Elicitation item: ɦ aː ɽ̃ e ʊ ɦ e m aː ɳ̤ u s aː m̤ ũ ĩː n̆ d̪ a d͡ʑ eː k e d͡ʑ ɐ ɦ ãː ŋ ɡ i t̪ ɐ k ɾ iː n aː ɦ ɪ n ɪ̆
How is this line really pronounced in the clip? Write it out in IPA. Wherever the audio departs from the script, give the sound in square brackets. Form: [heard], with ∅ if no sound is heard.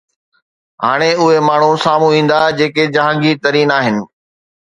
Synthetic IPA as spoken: ɦ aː ɽ̃ e ʊ ɦ e m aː ɳ̤ u s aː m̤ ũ ĩː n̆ d̪ a d͡ʑ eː k e d͡ʑ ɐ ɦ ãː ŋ ɡ i t̪ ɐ [∅] ɾ iː n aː ɦ ɪ n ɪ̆